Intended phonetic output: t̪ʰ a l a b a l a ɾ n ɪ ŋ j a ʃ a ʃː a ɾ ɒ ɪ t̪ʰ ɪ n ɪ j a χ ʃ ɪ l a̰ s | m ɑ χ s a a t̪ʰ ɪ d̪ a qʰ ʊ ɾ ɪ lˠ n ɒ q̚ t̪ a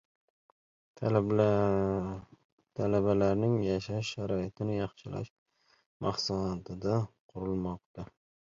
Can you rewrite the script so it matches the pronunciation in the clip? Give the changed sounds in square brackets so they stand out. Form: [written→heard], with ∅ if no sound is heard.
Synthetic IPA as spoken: t̪ʰ a l a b a l a ɾ n ɪ ŋ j a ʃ a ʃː a ɾ ɒ ɪ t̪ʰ ɪ n ɪ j [a→ɑ] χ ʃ ɪ l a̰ [s→ʃ] | m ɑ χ s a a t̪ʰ ɪ d̪ a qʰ ʊ ɾ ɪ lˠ [n→m] ɒ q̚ t̪ a